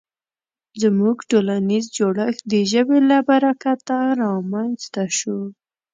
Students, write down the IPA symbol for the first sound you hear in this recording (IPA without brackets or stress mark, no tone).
z